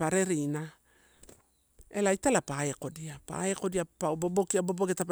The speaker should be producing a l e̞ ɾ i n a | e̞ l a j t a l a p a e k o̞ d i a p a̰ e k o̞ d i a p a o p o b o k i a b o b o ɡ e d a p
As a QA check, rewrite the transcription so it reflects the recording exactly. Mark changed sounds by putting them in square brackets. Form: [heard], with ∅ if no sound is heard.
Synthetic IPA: a [ɾ] e̞ ɾ i n a | e̞ l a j t a l a p a e k o̞ d i a p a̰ e k o̞ d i a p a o [b] o b o k i a b o b o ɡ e [t] a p